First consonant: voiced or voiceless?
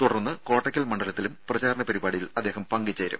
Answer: voiceless